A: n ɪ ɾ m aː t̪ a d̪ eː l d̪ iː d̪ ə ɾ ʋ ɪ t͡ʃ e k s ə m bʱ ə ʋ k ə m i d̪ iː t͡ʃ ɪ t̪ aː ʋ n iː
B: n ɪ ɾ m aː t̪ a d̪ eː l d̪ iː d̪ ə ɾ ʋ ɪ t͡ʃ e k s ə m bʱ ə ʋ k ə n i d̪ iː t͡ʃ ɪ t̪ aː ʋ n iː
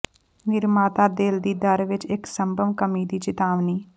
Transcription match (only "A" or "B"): A